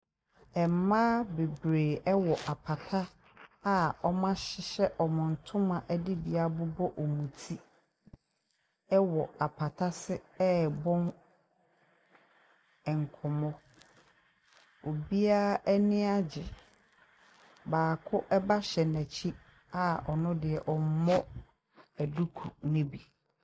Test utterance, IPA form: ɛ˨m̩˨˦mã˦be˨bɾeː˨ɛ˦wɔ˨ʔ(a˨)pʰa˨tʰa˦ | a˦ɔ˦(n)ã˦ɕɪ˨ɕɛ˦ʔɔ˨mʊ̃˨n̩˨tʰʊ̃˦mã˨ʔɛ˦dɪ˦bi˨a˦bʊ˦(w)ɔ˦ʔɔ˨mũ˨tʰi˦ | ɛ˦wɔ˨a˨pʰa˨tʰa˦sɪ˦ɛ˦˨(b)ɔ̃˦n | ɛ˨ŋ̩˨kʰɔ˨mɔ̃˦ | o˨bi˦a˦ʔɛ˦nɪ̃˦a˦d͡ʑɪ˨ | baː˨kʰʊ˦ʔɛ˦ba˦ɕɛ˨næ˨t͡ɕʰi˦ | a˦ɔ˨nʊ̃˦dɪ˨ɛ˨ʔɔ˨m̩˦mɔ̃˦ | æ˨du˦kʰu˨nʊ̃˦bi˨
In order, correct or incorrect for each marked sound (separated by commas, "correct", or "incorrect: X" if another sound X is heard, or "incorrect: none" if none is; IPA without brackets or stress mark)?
correct, incorrect: m, incorrect: b, correct